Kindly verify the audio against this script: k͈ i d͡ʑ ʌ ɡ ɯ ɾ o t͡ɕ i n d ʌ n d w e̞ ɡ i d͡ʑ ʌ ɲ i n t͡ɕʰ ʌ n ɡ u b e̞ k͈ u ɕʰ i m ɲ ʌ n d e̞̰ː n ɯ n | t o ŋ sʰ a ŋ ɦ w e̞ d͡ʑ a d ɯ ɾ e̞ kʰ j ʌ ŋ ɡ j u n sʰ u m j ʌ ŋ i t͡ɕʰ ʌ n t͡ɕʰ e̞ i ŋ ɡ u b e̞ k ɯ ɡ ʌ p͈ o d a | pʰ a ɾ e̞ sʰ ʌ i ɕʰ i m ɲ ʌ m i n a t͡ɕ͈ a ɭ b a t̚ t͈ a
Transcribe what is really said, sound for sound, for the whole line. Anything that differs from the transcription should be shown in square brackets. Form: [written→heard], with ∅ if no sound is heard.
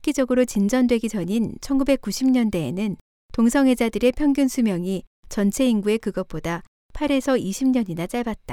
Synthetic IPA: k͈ i d͡ʑ ʌ ɡ ɯ ɾ o t͡ɕ i n [d→d͡ʑ] ʌ n d w e̞ ɡ i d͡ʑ ʌ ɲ i n t͡ɕʰ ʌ n ɡ u b e̞ k͈ u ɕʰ i m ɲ ʌ n d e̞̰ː n ɯ n | t o ŋ sʰ [a→ʌ] ŋ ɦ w e̞ d͡ʑ a d ɯ ɾ e̞ [kʰ→pʰ] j ʌ ŋ ɡ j u n sʰ u m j ʌ ŋ i [t͡ɕʰ→t͡ɕ] ʌ n t͡ɕʰ e̞ i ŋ ɡ u [b→∅] e̞ k ɯ ɡ ʌ p͈ o d a | pʰ a ɾ e̞ sʰ ʌ i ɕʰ i m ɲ ʌ [m→ɲ] i n a t͡ɕ͈ a ɭ b a t̚ t͈ a